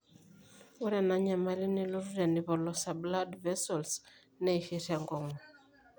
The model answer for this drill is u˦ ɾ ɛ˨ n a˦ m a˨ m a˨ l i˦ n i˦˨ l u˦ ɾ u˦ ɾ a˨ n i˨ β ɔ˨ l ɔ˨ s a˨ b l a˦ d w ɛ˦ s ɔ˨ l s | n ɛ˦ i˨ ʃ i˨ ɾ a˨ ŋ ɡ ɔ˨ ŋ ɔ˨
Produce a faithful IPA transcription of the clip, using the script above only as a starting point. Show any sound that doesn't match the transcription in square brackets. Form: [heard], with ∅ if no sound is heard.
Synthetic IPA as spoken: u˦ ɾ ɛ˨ n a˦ [ɲ] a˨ m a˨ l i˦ n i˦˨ l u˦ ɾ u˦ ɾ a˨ n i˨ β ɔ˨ l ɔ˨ s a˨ b l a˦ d [v] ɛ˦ s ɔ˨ l s | n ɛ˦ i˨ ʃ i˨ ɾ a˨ ŋ ɡ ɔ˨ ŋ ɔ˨